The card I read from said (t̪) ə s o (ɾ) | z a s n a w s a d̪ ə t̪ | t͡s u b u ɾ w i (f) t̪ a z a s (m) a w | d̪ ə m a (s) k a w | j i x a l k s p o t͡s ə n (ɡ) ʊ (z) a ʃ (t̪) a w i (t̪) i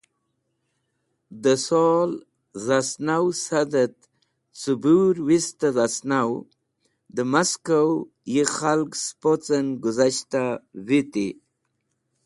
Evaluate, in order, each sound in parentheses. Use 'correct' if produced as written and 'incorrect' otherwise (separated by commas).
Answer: incorrect, incorrect, incorrect, incorrect, correct, correct, correct, correct, correct